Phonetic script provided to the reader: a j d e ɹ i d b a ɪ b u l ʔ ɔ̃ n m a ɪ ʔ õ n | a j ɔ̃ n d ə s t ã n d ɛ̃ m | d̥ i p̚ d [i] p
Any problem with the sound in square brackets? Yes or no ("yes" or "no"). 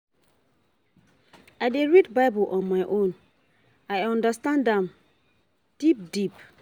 no